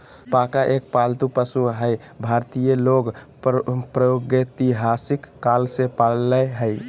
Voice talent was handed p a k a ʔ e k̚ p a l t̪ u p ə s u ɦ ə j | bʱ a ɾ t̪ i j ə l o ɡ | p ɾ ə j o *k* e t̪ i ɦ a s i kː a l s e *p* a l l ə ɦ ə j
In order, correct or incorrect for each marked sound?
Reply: incorrect, correct

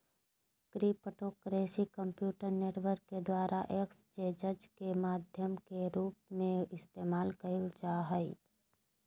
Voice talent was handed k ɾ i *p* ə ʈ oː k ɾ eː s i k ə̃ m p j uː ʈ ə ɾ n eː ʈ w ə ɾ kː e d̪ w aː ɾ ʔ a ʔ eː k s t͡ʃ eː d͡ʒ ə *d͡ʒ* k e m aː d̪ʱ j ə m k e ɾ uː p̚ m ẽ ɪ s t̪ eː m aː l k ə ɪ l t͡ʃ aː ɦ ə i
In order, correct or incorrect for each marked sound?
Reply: correct, correct

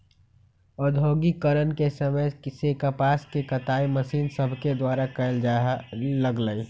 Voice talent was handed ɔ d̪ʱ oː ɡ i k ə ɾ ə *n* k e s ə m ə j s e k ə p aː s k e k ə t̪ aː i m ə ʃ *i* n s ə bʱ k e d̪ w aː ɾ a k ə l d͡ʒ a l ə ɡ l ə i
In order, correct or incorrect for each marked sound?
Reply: correct, incorrect

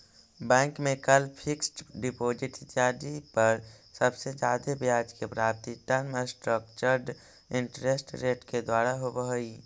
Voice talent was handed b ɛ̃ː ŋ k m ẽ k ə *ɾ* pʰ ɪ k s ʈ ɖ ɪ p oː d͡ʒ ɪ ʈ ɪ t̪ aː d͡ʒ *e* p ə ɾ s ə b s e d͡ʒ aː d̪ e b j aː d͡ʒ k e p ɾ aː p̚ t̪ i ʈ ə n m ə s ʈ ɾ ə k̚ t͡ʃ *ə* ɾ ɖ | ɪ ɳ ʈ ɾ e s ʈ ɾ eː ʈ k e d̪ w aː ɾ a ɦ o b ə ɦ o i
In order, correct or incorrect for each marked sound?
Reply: incorrect, incorrect, correct

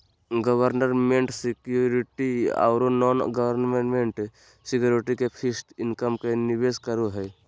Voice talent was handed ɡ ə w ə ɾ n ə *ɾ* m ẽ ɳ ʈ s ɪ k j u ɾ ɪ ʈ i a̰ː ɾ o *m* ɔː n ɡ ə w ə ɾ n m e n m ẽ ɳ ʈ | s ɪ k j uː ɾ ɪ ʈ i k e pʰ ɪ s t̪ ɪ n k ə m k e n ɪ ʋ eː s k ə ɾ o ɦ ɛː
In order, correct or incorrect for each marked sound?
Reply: correct, incorrect

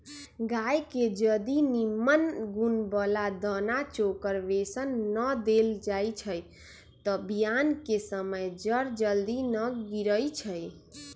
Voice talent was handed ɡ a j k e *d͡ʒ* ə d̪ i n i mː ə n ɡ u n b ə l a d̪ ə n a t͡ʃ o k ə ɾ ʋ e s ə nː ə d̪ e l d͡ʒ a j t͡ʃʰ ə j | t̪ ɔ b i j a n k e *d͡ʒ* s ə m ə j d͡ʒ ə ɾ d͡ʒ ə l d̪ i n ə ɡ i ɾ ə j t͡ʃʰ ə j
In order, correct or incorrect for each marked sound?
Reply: correct, incorrect

